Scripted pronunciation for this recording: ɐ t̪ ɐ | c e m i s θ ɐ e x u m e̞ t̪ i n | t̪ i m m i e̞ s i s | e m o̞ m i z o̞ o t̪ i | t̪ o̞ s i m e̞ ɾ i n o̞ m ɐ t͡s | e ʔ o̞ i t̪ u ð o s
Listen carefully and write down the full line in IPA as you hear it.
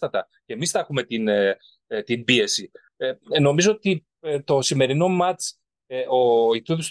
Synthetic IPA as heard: ɐ t̪ ɐ | c e m i s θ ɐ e x u m e̞ t̪ i n | t̪ i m b i e̞ s i | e n o̞ m i z o̞ o t̪ i | t̪ o̞ s i m e̞ ɾ i n o̞ m ɐ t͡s | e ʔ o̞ i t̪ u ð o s